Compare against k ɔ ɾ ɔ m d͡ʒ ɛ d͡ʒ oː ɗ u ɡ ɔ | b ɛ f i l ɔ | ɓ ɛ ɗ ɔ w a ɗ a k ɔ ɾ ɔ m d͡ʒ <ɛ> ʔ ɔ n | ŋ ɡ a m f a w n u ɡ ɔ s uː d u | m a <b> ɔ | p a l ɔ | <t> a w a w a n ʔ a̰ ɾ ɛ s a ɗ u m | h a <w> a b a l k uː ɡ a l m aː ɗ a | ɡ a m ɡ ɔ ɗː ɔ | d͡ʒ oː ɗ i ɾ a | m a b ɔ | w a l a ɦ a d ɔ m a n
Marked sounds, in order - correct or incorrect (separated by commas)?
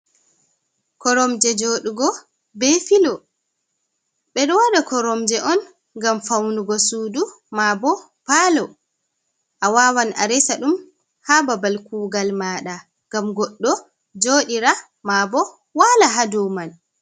correct, correct, incorrect, incorrect